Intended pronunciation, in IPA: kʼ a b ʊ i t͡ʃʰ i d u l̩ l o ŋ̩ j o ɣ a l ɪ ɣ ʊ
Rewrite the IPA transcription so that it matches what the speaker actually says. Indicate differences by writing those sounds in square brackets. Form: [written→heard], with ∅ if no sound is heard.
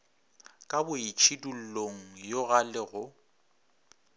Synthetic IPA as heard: kʼ a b ʊ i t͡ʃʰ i d u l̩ l o ŋ̩ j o ɣ a l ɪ ɣ ʊ